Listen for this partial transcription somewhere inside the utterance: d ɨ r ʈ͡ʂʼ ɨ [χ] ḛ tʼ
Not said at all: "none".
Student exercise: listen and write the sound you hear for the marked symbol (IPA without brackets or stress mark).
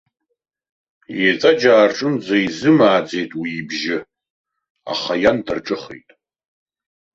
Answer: χ